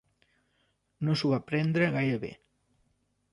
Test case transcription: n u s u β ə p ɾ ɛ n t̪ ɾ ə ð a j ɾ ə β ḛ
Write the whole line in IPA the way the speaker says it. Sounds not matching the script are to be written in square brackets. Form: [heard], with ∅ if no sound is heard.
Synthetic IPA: n [o] s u β [a] p ɾ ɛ n [d̪] ɾ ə [ɣ] a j ɾ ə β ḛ